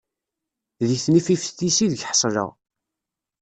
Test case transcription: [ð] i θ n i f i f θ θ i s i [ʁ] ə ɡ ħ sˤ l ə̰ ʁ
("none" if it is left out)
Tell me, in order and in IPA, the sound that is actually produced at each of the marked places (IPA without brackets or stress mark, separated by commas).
ð, ð